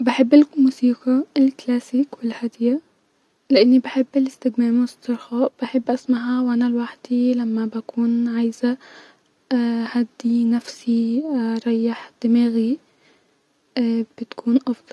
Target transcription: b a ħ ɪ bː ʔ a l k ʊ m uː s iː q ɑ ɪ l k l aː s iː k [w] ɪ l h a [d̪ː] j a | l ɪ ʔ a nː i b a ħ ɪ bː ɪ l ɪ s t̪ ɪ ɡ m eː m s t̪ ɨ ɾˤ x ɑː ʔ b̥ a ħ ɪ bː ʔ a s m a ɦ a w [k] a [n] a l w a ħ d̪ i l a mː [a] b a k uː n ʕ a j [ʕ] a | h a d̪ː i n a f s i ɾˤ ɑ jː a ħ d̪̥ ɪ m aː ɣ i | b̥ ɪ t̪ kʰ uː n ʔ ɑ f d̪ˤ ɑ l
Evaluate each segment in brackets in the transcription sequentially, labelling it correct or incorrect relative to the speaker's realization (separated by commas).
correct, incorrect, incorrect, correct, correct, incorrect